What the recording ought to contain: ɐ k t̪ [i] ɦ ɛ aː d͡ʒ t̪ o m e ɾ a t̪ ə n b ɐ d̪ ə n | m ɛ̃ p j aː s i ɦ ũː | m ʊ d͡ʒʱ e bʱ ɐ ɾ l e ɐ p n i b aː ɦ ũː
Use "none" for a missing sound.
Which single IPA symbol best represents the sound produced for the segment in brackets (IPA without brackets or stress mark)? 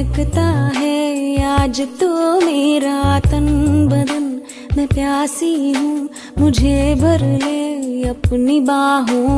a